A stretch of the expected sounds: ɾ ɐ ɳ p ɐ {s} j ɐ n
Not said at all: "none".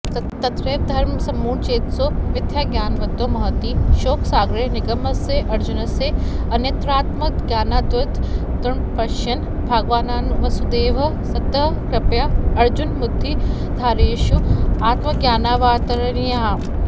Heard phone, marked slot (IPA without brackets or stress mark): ʃ